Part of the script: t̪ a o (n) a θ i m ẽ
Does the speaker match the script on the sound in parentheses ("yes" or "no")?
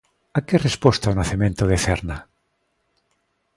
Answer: yes